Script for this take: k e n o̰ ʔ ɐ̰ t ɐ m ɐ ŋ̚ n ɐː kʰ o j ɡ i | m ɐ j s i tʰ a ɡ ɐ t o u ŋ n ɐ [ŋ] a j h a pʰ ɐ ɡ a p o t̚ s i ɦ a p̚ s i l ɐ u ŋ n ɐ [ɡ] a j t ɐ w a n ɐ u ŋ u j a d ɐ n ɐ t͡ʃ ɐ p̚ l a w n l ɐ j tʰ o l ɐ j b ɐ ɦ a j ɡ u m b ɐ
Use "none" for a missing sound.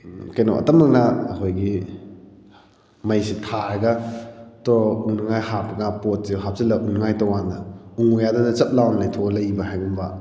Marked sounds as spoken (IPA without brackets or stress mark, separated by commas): ŋ, ŋ